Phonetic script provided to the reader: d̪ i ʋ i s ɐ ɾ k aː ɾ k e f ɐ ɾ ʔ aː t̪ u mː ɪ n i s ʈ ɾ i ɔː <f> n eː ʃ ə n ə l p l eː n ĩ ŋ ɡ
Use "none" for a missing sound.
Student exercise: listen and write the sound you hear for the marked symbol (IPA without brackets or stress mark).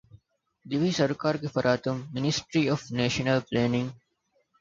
f